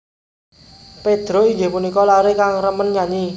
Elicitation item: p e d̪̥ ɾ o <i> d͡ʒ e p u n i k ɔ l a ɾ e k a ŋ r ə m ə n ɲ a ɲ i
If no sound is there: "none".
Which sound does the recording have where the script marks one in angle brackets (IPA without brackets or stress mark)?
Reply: i